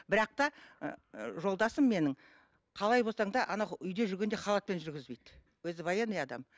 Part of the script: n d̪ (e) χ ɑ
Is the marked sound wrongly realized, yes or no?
no